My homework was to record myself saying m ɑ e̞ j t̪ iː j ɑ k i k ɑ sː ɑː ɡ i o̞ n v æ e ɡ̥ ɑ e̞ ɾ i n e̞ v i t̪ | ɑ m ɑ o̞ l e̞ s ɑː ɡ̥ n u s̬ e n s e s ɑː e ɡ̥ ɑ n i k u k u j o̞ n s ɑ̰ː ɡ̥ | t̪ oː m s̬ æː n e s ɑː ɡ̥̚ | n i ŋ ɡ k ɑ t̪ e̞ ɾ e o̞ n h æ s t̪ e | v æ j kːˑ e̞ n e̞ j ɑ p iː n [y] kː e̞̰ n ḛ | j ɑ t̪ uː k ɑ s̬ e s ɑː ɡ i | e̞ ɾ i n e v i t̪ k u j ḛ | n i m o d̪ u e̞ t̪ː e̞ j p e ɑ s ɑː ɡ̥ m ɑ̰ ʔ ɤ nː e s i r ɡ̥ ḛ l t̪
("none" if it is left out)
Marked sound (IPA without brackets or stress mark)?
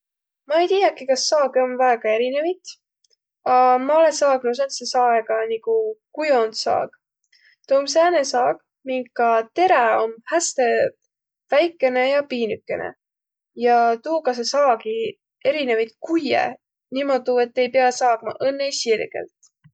y